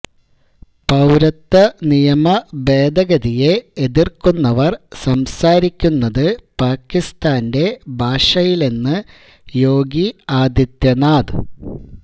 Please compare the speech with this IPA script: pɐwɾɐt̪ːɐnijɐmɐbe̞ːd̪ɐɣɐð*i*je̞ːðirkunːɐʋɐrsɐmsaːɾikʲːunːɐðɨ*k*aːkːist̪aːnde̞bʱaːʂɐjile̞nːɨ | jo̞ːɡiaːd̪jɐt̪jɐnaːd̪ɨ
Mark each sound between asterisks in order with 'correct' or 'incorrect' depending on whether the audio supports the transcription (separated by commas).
correct, incorrect